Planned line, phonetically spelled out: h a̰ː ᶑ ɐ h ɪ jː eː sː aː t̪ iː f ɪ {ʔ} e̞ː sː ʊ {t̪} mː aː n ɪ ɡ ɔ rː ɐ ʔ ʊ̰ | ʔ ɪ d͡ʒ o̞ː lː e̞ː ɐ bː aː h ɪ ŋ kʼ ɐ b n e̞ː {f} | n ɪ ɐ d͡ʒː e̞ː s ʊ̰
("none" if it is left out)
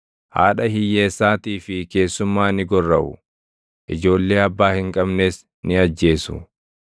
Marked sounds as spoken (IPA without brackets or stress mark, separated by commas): k, none, s